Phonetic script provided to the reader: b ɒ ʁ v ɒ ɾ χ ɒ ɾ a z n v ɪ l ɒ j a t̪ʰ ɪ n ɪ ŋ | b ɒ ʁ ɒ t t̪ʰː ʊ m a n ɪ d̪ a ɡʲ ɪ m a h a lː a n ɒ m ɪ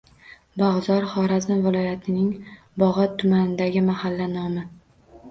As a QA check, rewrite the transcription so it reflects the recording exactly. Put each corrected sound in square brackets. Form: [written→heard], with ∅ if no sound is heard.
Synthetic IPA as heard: b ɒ ʁ [v→z] ɒ ɾ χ ɒ ɾ a z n v ɪ l ɒ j a t̪ʰ ɪ n ɪ ŋ | b ɒ ʁ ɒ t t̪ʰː ʊ m a n ɪ d̪ a ɡʲ ɪ m a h a lː a n ɒ m ɪ